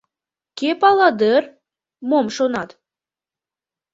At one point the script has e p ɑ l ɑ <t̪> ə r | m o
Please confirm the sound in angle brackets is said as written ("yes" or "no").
no